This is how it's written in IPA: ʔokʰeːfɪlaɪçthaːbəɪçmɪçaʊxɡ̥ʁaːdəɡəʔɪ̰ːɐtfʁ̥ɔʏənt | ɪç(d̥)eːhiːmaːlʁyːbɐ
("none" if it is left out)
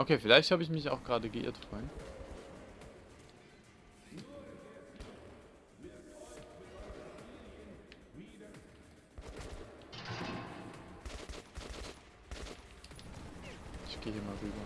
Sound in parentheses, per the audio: ɡ̥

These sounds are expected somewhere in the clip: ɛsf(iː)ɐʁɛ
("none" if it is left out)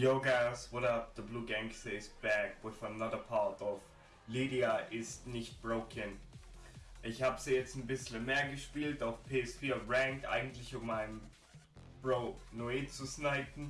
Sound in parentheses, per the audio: iː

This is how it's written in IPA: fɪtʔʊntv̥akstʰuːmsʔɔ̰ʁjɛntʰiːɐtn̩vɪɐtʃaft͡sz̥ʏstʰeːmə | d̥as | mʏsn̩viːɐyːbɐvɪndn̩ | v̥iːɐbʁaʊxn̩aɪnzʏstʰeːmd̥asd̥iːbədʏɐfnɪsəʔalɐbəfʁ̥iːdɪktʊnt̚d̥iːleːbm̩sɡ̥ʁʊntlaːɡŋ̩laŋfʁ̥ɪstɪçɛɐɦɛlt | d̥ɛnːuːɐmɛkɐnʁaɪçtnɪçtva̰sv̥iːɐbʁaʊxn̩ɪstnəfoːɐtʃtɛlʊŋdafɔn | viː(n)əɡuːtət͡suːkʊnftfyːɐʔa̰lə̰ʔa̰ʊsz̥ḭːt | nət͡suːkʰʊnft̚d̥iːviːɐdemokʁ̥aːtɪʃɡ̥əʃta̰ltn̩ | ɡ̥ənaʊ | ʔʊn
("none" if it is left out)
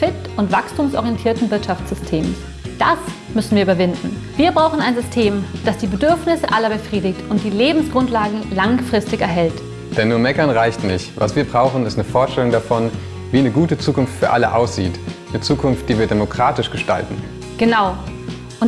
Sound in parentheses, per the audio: n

